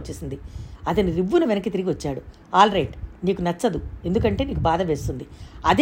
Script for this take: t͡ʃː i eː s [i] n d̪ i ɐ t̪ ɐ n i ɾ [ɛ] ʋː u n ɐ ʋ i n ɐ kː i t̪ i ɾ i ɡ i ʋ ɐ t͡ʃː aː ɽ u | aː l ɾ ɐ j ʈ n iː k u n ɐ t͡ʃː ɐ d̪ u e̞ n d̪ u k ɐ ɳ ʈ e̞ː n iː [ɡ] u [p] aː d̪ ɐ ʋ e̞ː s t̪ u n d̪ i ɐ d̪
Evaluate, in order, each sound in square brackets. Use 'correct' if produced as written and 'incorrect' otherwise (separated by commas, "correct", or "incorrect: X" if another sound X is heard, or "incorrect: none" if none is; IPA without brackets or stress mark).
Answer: correct, incorrect: i, incorrect: k, incorrect: b